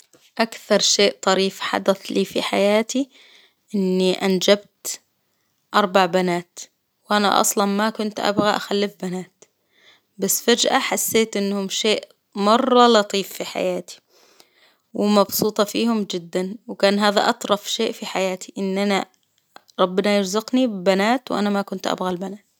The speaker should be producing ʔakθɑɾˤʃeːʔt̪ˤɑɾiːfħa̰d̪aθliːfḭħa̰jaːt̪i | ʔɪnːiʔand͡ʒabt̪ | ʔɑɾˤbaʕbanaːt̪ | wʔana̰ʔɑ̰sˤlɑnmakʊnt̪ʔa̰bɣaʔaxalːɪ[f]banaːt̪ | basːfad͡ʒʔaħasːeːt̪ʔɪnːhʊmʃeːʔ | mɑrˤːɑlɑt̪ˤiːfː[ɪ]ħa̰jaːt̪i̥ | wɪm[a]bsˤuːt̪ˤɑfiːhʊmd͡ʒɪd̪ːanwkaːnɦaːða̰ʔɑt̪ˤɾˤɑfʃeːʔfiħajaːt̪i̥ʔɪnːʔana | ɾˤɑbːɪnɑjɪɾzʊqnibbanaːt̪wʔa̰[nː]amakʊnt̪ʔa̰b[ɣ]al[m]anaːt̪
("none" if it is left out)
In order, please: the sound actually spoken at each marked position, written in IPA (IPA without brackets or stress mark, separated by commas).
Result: f, i, ɑ, n, ɣ, b